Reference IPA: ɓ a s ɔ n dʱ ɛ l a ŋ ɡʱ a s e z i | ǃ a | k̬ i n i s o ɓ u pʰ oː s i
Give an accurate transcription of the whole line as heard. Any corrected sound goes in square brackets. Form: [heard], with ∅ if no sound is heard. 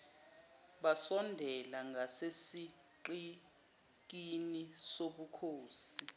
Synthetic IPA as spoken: ɓ a s ɔ n dʱ ɛ l a ŋ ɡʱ a s e [s] i | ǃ [i] | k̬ i n i s o ɓ u [kʰ] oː s i